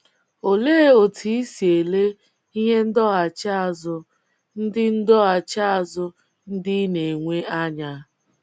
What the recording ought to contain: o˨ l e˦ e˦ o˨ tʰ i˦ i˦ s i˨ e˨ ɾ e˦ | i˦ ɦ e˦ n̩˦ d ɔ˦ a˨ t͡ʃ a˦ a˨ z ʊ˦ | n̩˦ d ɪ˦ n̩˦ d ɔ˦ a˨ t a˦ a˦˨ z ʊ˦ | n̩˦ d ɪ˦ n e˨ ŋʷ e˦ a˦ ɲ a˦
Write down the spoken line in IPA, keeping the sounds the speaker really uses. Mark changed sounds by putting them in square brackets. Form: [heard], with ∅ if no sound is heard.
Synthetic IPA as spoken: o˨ l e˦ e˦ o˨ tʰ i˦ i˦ s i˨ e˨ [l] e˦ | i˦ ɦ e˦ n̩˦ d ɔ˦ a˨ t͡ʃ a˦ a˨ z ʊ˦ | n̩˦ d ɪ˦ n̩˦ d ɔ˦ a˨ [t͡ʃ] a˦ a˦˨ z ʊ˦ | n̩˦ d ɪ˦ n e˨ ŋʷ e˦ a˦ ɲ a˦